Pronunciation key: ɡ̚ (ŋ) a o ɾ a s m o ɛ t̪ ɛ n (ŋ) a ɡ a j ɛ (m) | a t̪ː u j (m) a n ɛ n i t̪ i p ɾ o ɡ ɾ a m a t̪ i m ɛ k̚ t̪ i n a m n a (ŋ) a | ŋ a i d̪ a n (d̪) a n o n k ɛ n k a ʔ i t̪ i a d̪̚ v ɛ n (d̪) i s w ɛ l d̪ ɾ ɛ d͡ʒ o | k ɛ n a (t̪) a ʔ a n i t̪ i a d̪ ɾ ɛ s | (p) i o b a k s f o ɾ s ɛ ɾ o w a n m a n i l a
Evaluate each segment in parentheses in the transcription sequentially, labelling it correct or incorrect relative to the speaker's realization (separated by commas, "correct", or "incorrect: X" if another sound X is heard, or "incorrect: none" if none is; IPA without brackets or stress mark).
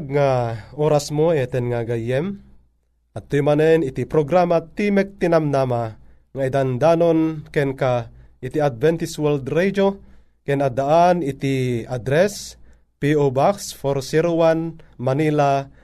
correct, correct, correct, correct, incorrect: m, correct, incorrect: t̪, incorrect: d̪, correct